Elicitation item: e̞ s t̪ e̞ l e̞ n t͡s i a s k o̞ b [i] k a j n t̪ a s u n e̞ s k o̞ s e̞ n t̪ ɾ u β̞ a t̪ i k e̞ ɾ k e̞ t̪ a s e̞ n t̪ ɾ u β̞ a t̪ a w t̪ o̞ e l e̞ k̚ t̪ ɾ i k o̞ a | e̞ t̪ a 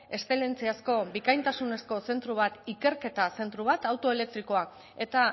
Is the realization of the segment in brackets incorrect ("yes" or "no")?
no